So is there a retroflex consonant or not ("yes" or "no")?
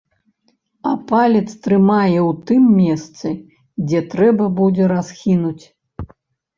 no